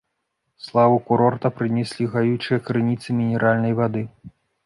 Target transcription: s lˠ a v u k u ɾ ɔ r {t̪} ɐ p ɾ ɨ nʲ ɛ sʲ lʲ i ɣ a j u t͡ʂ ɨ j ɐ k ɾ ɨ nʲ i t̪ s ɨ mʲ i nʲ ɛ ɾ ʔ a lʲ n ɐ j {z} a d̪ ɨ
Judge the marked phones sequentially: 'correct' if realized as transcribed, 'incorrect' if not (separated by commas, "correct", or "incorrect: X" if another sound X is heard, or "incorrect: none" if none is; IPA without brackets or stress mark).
correct, incorrect: v